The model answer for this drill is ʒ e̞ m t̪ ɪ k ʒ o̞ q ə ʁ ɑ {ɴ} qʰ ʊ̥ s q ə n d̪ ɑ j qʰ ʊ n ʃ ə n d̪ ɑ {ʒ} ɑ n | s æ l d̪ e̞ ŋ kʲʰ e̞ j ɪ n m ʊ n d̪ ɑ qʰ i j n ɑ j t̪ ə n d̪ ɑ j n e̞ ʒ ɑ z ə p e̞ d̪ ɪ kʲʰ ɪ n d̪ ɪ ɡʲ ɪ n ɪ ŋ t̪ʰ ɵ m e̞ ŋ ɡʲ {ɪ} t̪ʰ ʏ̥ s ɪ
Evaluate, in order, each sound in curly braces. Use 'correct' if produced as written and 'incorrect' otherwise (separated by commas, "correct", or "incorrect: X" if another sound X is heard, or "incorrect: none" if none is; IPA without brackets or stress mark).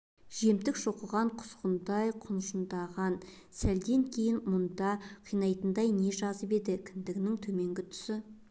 correct, incorrect: ʁ, correct